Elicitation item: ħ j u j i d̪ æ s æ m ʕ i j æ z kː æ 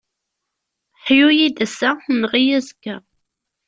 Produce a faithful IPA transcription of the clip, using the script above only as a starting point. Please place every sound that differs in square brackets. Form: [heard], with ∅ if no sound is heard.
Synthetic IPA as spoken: ħ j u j i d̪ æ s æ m [ʁ] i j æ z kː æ

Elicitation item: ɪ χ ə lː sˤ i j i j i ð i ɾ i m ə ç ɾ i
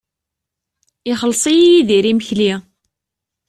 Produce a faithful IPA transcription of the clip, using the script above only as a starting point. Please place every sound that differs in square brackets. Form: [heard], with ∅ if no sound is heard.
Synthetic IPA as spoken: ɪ χ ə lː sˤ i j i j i ð i ɾ i m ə ç [l] i

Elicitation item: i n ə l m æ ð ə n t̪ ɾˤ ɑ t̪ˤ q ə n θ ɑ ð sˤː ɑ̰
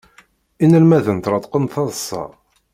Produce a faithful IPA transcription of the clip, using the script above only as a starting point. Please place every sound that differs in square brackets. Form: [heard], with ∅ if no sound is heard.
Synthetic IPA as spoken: i n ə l m æ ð ə n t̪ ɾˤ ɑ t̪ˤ q ə n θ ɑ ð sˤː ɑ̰

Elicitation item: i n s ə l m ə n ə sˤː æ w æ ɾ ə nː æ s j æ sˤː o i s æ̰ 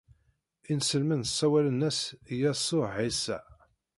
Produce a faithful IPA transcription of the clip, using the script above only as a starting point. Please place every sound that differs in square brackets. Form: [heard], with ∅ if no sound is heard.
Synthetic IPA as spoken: i n s ə l m ə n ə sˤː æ w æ [l] ə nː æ s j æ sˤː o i s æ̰

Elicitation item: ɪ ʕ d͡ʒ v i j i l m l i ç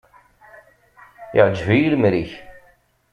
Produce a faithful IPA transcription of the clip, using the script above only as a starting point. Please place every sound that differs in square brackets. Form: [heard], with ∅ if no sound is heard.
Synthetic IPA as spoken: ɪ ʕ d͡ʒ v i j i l m [ɾ] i ç

